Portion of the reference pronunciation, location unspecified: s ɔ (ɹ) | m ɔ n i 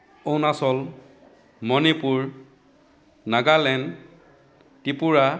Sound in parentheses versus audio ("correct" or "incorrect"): incorrect